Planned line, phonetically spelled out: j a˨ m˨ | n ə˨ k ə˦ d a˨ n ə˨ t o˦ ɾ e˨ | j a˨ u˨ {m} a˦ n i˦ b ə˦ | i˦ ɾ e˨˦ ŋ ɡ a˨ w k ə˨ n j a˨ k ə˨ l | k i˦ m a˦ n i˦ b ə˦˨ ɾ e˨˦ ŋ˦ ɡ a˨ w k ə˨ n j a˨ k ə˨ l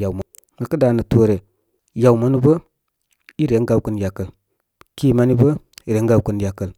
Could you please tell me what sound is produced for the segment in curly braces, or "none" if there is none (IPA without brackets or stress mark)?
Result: m